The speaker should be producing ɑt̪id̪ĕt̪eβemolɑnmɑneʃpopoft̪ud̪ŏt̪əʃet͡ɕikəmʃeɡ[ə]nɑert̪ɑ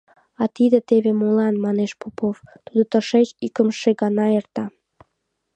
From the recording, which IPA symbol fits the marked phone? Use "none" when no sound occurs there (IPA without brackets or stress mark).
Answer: ɑ